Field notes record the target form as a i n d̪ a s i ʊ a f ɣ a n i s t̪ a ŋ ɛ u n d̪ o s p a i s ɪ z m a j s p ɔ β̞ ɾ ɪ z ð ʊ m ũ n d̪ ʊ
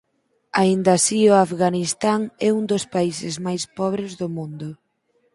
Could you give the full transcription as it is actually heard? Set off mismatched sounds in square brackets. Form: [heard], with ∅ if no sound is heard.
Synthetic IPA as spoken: a i n d̪ a s i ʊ a f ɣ a n i s t̪ a ŋ ɛ u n d̪ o s p a i s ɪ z m a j s p ɔ β̞ ɾ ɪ z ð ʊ m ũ n d̪ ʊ

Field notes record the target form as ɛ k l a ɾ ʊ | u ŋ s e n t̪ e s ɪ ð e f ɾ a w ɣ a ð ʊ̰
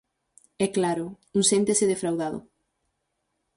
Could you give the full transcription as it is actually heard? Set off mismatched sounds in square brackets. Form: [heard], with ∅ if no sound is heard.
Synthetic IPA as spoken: ɛ k l a ɾ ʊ | u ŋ s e n t̪ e s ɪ ð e f ɾ a w [ð] a ð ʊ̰

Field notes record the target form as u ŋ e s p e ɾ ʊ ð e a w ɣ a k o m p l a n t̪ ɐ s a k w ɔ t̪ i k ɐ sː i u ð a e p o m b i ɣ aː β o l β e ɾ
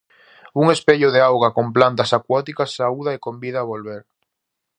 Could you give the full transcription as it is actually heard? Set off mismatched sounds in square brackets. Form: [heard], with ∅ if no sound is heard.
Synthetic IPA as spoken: u ŋ e s p e [ʎ] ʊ ð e a w ɣ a k o m p l a n t̪ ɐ s a k w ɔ t̪ i k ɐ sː [a] u ð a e [k] o m b i [ð] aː β o l β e ɾ

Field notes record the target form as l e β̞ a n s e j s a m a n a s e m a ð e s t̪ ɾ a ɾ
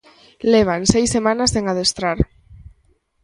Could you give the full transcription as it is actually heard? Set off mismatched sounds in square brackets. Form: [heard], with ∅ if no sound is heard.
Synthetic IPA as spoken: l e β̞ a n s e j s [e] m a n a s e [ŋ] a ð e s t̪ ɾ a ɾ

